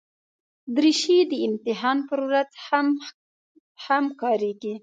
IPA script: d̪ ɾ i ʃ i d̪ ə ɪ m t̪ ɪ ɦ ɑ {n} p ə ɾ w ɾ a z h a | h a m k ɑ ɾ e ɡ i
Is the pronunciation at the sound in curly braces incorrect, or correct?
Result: correct